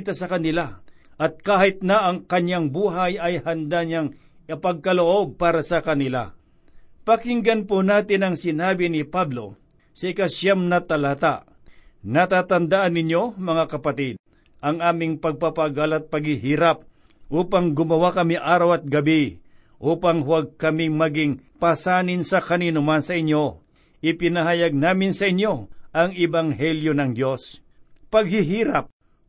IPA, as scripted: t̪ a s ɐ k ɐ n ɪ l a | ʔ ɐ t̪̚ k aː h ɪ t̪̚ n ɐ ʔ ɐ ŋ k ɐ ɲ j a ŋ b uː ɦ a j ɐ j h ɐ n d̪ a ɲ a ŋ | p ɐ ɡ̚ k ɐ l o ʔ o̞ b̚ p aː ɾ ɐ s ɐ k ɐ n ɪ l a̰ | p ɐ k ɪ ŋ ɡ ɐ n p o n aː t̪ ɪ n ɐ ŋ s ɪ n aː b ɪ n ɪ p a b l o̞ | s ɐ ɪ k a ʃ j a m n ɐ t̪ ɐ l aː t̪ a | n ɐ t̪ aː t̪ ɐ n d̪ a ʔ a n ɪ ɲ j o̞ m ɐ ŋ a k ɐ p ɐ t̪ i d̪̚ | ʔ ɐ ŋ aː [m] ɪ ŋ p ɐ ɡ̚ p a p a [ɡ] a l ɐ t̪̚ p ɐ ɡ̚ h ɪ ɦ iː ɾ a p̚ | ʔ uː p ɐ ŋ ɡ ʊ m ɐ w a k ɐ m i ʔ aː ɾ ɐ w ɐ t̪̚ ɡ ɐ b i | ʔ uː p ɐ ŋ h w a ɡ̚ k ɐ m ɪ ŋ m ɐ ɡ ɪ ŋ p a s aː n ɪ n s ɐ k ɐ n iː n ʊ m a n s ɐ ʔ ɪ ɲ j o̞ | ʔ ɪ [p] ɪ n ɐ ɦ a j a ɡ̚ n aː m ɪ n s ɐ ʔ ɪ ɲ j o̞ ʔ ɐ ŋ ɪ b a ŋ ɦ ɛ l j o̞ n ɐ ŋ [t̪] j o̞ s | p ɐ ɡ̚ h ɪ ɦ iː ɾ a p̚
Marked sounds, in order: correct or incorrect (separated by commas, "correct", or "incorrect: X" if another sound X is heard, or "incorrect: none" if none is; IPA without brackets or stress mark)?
correct, correct, correct, incorrect: d̪